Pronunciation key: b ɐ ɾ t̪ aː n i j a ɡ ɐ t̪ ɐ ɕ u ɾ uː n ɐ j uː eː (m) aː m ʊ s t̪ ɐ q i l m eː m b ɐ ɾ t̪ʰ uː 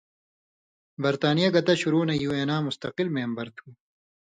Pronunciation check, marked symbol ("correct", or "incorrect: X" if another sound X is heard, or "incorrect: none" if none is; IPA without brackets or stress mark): incorrect: n